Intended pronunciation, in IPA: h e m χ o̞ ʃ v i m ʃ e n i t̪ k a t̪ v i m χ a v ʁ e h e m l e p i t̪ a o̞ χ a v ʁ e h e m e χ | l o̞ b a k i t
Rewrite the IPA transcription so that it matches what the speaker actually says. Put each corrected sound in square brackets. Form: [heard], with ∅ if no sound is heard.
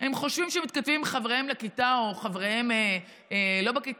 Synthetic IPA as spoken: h e m χ o̞ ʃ v i m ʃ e [m] i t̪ k a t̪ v i m χ a v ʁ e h e m l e [k] i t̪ a o̞ χ a v ʁ e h e m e [∅] | l o̞ b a k i t